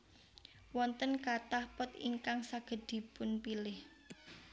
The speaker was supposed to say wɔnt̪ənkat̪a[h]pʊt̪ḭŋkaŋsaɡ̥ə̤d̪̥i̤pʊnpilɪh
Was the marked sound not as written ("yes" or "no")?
no